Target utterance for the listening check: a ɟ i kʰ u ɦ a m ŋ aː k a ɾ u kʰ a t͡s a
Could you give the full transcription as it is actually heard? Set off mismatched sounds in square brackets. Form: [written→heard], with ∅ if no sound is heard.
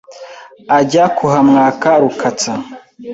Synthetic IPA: a ɟ [i→a] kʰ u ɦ a m ŋ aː k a ɾ u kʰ a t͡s a